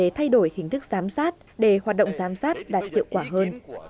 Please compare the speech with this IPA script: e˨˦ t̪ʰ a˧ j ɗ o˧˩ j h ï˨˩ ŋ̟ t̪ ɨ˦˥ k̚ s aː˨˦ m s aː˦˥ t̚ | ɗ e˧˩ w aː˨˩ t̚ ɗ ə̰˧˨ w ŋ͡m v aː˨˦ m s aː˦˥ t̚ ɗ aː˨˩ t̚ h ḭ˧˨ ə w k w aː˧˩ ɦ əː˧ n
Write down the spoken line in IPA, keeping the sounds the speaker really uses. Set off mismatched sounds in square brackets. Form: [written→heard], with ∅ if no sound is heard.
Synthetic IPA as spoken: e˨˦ t̪ʰ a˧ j ɗ o˧˩ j h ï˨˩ ŋ̟ t̪ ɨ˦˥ k̚ [s→z] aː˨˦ m s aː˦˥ t̚ | ɗ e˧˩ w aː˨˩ t̚ ɗ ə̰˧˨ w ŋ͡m [v→z] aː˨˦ m s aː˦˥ t̚ ɗ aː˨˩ t̚ h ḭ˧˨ ə w k w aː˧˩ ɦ əː˧ n